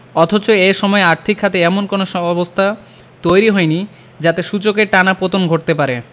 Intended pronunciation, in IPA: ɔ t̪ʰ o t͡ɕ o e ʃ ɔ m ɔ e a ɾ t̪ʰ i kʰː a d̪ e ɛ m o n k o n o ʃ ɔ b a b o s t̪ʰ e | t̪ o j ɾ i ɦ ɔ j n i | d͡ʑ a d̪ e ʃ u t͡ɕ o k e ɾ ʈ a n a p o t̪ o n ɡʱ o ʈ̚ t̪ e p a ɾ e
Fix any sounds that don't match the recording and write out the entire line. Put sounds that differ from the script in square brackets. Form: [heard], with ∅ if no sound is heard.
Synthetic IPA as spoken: ɔ t̪ʰ o t͡ɕ o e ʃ ɔ m ɔ e a ɾ t̪ʰ i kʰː a [t̪] e ɛ m o n k o n o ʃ ɔ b a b o s t̪ʰ [a] | t̪ o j ɾ i ɦ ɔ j n i | d͡ʑ a [t̪] e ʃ u t͡ɕ o k e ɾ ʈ a n a p o t̪ o n ɡʱ o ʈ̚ t̪ e p a ɾ e